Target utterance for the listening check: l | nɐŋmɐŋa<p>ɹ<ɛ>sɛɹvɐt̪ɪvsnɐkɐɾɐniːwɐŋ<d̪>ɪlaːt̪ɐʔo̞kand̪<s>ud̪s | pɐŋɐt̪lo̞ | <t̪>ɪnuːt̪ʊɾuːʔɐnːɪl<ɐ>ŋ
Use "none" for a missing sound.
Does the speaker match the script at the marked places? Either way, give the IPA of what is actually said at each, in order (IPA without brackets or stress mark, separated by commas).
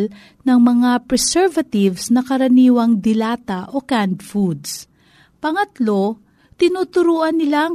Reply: p, ɛ, d̪, f, t̪, a